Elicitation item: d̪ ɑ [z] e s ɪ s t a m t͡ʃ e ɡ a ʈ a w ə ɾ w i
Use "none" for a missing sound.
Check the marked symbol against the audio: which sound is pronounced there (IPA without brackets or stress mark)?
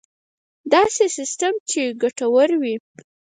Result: s